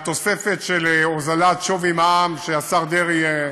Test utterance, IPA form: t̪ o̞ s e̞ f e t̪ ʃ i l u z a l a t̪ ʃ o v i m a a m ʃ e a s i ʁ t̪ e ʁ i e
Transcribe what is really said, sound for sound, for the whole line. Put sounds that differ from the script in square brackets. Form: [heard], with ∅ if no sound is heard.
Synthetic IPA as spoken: t̪ o̞ s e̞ f e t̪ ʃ [e] l [o] z a l a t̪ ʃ o v i m a a m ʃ e a s [a] ʁ [d̪] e ʁ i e